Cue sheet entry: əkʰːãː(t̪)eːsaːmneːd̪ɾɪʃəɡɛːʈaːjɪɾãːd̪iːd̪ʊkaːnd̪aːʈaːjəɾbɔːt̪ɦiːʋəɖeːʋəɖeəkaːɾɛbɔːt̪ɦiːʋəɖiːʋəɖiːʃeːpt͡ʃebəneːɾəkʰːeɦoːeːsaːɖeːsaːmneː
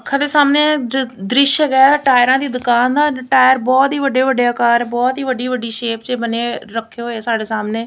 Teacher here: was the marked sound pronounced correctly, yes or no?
no